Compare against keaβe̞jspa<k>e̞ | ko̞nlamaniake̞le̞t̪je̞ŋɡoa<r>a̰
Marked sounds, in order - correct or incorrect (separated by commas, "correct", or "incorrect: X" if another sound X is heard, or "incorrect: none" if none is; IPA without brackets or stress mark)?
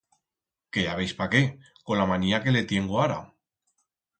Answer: correct, incorrect: ɾ